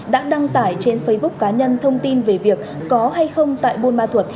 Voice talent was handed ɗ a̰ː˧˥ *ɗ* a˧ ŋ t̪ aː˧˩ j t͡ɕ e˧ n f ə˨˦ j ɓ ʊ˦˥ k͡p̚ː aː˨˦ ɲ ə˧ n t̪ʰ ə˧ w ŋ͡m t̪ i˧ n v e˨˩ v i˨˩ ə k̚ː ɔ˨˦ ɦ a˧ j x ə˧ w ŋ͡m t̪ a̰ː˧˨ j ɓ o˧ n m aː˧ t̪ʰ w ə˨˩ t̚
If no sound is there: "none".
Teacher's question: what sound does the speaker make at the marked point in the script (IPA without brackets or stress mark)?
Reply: ɗ